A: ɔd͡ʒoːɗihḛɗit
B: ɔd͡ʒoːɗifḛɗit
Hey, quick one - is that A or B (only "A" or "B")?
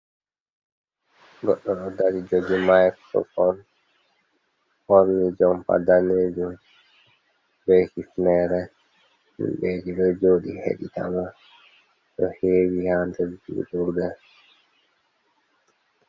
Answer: A